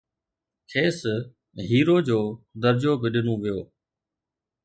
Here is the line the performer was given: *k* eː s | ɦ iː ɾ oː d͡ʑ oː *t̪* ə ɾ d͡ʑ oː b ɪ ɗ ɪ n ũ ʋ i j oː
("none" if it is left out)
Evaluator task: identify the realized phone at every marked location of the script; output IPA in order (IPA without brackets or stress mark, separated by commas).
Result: kʰ, d̪